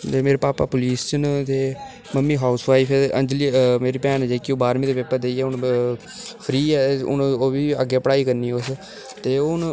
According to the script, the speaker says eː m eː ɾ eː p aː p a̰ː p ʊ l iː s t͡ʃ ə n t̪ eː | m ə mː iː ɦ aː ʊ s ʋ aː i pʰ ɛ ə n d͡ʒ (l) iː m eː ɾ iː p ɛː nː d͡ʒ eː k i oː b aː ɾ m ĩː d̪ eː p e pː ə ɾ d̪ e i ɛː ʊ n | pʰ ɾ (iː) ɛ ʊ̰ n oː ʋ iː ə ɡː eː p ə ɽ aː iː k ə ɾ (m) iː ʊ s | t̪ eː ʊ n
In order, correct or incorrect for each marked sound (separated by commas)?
correct, correct, incorrect